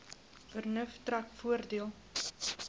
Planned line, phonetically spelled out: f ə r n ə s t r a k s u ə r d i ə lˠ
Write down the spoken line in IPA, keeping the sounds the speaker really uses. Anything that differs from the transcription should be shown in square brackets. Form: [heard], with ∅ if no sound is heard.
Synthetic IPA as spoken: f ə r n ə [f] t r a k [f] u ə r d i ə lˠ